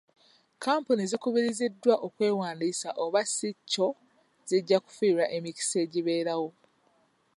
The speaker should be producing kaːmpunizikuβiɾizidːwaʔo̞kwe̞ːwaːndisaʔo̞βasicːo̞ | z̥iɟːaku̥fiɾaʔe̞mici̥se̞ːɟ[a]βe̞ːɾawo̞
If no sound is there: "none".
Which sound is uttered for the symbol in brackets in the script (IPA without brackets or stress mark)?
i